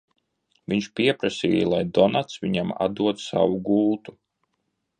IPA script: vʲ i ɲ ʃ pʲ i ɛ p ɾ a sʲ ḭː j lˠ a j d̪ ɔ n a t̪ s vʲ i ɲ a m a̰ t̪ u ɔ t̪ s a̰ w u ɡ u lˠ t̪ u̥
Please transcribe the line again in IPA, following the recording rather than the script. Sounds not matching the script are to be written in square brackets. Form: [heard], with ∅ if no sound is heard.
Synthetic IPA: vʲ i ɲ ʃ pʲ i ɛ p ɾ a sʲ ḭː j lˠ a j d̪ ɔ n a t̪ s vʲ i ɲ a m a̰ [d̪] u ɔ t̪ s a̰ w u ɡ u lˠ t̪ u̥